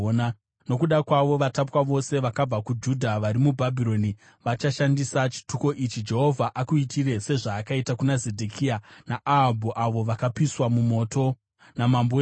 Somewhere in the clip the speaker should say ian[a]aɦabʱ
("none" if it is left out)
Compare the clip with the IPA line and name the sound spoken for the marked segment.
a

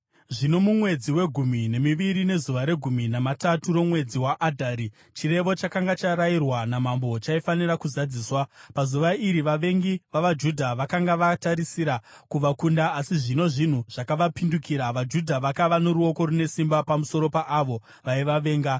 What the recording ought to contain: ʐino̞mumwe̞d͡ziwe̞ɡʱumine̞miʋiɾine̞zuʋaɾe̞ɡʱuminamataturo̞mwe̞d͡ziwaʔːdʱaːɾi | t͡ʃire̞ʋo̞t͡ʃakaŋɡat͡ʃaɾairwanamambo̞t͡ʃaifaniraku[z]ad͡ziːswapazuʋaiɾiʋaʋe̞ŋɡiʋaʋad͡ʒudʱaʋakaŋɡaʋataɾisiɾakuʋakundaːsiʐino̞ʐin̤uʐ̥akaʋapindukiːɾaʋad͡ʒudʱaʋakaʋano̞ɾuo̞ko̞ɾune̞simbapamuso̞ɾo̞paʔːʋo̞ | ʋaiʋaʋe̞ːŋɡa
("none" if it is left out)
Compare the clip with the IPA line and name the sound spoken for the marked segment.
z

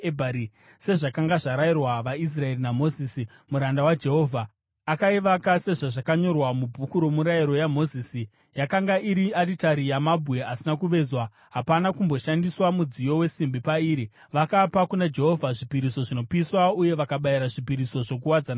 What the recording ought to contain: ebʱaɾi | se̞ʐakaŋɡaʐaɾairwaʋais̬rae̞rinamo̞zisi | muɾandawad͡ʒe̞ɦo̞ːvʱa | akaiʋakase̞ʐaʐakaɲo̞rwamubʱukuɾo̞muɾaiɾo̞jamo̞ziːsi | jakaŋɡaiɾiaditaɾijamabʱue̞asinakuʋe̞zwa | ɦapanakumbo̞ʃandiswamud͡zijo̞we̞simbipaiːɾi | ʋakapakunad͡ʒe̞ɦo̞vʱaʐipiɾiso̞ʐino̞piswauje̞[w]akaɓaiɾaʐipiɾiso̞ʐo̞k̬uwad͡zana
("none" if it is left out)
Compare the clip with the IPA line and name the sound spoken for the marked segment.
ʋ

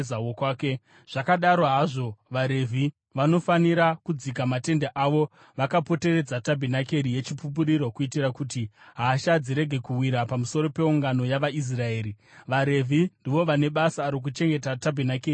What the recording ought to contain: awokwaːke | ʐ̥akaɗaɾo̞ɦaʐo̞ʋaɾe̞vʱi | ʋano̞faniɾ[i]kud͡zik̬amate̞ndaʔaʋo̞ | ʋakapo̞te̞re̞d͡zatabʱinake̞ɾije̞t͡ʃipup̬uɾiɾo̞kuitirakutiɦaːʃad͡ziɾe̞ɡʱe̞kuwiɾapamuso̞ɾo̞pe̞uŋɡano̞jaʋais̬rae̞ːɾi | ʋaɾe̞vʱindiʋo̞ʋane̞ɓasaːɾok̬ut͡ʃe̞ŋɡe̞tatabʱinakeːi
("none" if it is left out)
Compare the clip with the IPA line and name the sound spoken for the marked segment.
a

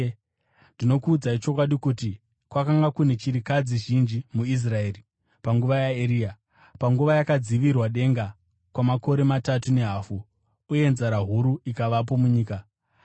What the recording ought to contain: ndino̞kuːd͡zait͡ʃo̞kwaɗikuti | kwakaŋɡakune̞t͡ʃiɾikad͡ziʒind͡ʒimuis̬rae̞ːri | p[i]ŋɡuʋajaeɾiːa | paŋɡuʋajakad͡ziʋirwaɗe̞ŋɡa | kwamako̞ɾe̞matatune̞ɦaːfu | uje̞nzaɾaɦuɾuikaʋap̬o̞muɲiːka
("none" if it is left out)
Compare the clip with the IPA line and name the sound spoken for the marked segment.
a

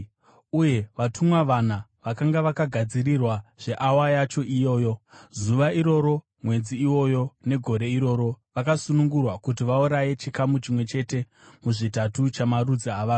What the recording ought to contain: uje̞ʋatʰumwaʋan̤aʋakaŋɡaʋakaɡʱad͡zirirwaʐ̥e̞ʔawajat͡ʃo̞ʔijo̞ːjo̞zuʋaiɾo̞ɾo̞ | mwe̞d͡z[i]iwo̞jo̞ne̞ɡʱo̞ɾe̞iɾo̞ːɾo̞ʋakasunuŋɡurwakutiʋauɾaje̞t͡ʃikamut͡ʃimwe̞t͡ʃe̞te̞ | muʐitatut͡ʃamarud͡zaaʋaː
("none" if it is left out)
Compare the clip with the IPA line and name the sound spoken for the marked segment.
i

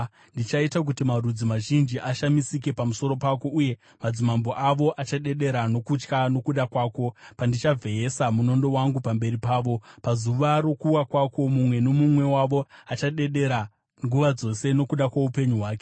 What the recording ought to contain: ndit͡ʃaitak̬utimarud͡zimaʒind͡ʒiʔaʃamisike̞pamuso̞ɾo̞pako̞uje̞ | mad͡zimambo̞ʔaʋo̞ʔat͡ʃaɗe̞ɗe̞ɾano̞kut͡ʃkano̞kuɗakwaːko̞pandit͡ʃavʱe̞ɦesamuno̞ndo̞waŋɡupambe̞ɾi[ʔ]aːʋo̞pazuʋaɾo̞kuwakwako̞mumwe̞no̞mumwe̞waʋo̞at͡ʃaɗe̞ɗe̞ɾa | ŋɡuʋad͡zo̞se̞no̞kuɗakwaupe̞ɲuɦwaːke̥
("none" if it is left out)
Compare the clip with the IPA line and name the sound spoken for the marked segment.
p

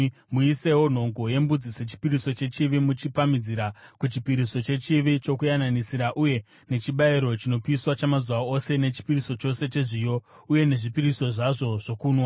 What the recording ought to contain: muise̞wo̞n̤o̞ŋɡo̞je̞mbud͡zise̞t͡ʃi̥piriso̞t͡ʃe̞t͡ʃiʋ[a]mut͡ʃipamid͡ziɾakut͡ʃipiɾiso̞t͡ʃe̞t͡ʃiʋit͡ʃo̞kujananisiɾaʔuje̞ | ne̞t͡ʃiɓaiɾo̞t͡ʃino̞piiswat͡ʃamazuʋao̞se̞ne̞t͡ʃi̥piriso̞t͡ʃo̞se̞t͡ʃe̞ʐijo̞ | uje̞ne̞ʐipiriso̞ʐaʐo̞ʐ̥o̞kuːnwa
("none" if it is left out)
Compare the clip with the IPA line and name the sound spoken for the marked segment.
i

